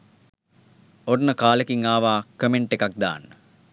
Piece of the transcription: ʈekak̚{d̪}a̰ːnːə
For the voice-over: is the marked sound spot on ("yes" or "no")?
yes